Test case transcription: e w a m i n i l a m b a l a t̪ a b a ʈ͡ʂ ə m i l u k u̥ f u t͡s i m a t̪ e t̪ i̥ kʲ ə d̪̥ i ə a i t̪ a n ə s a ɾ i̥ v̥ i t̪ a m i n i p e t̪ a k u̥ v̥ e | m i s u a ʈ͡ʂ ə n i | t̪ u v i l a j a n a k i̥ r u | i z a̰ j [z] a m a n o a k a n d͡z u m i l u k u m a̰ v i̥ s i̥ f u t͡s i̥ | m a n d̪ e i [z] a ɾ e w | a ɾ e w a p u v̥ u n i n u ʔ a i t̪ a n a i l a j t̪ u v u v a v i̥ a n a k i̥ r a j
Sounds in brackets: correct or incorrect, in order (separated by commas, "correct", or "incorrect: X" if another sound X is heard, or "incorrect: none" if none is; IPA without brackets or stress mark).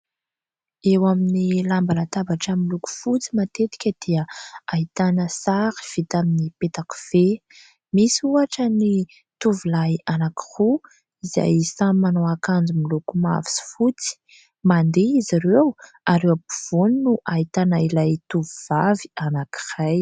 incorrect: s, correct